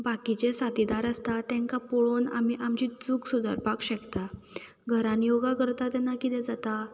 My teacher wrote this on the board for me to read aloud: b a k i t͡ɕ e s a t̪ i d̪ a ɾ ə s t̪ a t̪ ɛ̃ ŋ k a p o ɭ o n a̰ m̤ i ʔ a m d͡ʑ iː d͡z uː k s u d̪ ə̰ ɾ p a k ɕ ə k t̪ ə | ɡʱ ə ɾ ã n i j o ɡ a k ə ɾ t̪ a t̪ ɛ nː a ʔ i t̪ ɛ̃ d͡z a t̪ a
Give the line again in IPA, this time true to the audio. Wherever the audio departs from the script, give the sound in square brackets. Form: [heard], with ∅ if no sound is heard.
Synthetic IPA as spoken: b a k i t͡ɕ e s a t̪ i d̪ a ɾ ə s t̪ a t̪ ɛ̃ ŋ k a p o ɭ o n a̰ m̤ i ʔ a m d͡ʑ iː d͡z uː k s u d̪ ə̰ ɾ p a k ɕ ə k t̪ [a] | ɡʱ ə ɾ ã n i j o ɡ a k ə ɾ t̪ a t̪ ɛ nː a [k] i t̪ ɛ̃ d͡z a t̪ a